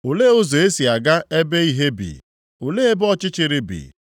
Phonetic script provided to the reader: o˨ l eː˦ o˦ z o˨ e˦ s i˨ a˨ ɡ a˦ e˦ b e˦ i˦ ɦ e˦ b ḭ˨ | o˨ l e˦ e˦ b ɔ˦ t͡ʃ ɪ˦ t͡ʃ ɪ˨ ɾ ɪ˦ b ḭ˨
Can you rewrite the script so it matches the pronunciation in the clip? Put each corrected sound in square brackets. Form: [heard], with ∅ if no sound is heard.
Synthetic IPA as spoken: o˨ l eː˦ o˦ z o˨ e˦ s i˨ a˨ ɡ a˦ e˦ b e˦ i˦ ɦ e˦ b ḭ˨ | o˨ l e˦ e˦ b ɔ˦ t͡ʃ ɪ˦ t͡ʃ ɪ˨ ɾ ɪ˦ b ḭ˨